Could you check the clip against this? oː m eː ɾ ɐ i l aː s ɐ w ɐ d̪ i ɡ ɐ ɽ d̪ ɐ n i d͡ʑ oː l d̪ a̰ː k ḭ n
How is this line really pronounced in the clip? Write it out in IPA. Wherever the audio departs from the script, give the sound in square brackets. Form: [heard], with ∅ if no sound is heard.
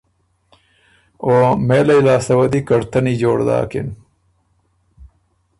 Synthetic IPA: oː m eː [l] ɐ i l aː s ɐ w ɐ d̪ i [k] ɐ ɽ [t̪] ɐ n i d͡ʑ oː [ɽ] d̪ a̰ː k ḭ n